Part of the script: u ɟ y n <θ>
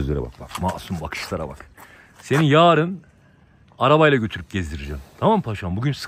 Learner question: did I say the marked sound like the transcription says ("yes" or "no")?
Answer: no